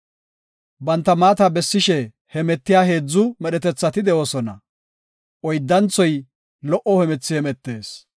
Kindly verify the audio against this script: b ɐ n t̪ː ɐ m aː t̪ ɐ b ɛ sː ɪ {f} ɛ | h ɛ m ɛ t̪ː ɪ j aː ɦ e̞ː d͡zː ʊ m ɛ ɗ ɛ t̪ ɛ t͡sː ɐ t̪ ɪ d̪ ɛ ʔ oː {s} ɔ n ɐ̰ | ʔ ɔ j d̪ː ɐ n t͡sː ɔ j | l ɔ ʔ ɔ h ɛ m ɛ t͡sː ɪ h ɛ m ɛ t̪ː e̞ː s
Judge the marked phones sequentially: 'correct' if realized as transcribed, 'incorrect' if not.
incorrect: ʃ, correct

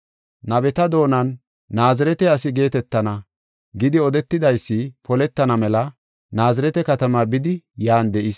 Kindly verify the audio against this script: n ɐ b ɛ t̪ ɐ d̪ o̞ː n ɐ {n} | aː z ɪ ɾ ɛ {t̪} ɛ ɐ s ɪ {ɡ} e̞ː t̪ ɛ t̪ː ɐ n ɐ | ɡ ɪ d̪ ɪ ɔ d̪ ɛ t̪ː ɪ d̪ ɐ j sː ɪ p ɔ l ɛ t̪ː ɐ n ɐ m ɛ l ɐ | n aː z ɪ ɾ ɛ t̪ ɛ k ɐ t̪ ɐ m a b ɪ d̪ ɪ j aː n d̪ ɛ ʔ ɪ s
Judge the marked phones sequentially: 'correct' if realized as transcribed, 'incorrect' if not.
incorrect: nː, correct, correct

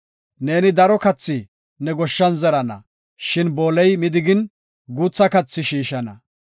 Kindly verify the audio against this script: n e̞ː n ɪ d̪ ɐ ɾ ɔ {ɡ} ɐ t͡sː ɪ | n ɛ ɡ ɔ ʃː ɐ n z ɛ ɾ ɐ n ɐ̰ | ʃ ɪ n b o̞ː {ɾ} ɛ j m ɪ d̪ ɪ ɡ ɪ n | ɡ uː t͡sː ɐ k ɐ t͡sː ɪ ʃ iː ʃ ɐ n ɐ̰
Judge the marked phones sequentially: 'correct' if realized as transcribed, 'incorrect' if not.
incorrect: k, incorrect: l

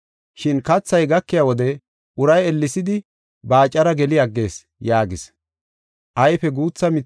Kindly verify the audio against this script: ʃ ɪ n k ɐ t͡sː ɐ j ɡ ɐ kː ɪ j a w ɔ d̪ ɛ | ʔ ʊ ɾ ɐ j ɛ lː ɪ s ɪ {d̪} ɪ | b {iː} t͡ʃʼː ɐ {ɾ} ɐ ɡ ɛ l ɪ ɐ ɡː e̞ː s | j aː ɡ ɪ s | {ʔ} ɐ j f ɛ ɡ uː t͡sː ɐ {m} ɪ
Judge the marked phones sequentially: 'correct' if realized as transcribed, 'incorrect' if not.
correct, incorrect: aː, correct, correct, correct

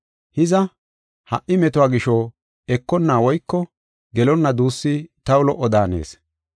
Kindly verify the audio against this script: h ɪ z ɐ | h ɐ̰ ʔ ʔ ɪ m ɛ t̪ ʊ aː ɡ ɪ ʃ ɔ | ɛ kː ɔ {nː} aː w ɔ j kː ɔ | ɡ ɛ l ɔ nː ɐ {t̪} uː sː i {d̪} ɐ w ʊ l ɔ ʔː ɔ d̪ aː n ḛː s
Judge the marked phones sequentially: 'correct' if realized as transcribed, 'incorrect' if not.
correct, incorrect: d̪, incorrect: t̪

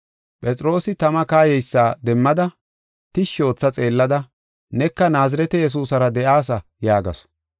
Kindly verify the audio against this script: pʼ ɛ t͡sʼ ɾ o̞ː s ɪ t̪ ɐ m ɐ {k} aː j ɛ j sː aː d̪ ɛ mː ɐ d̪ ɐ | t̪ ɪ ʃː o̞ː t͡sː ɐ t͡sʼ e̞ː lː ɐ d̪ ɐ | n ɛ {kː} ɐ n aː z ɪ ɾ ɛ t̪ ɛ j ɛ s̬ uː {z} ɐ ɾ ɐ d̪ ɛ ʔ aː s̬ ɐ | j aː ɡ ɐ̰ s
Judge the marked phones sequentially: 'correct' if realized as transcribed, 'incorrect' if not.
correct, correct, incorrect: s

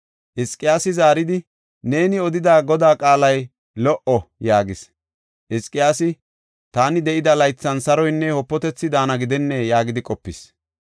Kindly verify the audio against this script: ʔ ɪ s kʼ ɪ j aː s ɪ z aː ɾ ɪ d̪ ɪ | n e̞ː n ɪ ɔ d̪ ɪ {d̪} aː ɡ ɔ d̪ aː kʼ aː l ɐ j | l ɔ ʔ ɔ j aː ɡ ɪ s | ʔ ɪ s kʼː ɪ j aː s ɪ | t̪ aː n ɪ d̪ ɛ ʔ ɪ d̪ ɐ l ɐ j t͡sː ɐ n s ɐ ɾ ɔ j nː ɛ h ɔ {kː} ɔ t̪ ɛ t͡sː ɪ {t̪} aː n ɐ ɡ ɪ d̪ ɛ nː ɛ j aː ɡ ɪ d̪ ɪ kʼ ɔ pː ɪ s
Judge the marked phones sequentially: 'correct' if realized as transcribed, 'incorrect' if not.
correct, incorrect: pː, incorrect: d̪

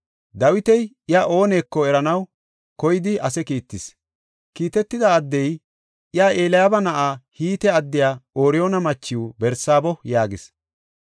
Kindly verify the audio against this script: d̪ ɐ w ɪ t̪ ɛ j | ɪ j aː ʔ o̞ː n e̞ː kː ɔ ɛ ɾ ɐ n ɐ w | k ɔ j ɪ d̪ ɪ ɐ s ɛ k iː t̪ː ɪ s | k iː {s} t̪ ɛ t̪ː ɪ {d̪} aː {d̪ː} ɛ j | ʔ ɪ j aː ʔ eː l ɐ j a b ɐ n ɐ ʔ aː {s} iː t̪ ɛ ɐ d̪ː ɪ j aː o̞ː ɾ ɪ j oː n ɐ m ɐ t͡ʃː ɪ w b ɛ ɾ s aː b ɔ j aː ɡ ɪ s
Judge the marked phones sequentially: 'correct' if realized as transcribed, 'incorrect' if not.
incorrect: none, correct, correct, incorrect: h

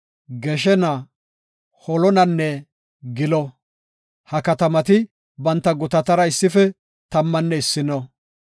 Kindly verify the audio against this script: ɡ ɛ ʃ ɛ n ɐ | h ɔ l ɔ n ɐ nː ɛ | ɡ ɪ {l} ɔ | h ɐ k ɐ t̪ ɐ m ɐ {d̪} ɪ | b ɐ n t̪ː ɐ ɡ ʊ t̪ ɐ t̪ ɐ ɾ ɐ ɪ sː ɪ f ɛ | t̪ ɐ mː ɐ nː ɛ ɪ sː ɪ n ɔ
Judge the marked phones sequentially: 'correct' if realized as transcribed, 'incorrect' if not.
correct, incorrect: t̪

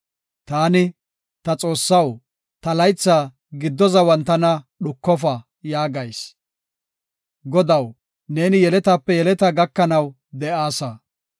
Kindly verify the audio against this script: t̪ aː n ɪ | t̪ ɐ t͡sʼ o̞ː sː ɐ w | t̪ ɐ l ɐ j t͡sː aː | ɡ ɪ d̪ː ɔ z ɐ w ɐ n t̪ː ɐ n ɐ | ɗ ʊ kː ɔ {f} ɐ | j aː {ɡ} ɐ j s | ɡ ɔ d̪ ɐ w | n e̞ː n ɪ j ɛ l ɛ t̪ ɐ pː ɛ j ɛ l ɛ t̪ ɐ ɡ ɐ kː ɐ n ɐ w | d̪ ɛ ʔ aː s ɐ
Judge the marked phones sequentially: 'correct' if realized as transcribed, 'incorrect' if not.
correct, correct

